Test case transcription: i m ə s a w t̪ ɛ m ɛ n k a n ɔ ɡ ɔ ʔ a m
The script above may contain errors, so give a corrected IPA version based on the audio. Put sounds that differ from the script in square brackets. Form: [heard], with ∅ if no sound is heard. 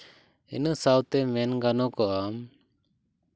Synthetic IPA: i [n] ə s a w t̪ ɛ m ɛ n [ɡ] a n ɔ [k] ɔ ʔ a m